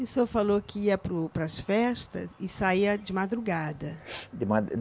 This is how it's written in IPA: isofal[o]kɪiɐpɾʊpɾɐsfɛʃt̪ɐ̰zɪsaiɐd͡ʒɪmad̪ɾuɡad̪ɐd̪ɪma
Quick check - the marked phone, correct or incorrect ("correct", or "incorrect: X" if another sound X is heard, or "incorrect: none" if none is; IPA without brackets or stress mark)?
correct